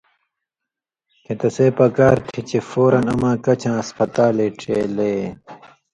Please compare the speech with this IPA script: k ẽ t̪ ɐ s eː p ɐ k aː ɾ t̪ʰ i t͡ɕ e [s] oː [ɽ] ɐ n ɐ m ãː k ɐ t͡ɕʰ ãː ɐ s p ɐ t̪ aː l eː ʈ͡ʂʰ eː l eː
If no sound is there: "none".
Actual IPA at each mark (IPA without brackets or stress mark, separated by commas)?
f, ɾ